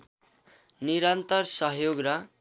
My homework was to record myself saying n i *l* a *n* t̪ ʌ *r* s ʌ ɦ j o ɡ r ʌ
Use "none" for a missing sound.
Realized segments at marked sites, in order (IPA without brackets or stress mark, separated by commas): ɾ, n, r